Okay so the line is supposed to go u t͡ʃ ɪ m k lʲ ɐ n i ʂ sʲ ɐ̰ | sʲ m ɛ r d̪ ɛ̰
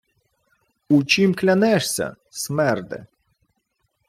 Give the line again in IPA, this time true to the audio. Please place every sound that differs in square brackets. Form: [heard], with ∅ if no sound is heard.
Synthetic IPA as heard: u t͡ʃ [i] m k lʲ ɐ n [ɛ] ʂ sʲ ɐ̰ | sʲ m ɛ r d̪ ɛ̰